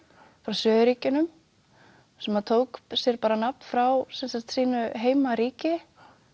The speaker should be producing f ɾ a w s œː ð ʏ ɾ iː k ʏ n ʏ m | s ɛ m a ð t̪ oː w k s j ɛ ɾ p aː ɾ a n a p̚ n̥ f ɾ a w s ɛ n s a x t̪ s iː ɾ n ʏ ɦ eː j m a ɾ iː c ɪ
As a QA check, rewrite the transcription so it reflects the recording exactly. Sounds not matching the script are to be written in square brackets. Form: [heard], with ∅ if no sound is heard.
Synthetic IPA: f ɾ a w s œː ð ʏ ɾ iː [c] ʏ n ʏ m | s ɛ m a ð [t̪ʰ] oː w k s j ɛ ɾ p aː ɾ a n a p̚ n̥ f ɾ a w s ɛ n s a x t̪ s iː [∅] n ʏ ɦ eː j m a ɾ iː c ɪ

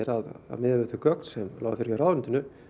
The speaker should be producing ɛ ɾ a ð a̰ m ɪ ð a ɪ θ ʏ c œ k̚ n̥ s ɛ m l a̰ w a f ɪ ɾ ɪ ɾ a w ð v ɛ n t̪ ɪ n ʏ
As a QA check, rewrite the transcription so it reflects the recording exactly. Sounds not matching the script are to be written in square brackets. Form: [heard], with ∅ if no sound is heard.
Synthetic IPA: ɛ ɾ a ð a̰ m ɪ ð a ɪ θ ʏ [k] œ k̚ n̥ s ɛ m l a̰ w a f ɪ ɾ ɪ ɾ a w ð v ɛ n t̪ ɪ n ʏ

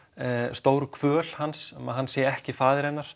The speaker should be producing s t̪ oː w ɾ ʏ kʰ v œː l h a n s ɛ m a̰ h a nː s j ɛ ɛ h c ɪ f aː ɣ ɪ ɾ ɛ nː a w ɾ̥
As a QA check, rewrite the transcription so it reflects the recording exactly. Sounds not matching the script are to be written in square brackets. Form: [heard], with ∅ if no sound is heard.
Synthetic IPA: s t̪ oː w ɾ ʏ kʰ v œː l h a n s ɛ m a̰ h a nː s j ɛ ɛ h c ɪ f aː [ð] ɪ ɾ ɛ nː a [∅] ɾ̥

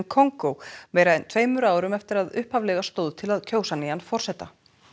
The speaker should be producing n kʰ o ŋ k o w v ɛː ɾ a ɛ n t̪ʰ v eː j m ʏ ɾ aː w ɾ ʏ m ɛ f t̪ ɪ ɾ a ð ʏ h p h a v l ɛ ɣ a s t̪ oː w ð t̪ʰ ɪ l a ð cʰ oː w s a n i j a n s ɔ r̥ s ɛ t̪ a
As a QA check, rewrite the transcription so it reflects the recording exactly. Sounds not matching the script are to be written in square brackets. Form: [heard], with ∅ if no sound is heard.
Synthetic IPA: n kʰ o ŋ k o w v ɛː ɾ a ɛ n t̪ʰ v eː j m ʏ ɾ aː w ɾ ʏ m ɛ f t̪ ɪ ɾ a ð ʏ h p h a v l ɛ ɣ a s t̪ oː w ð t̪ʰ ɪ l a ð cʰ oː w s a n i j a n [f] ɔ r̥ s ɛ t̪ a

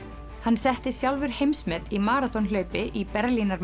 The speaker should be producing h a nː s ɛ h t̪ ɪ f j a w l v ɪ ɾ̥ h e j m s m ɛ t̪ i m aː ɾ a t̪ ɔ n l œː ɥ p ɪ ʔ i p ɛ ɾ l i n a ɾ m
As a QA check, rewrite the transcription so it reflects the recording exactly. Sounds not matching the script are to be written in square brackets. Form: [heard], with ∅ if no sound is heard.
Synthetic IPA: h a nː s ɛ h t̪ ɪ [s] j a w l v ɪ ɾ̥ h e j m s m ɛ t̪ i m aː ɾ a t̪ ɔ n l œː ɥ p ɪ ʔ i p ɛ ɾ l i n a ɾ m

